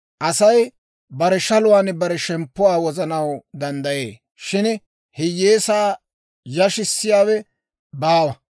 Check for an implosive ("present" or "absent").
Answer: absent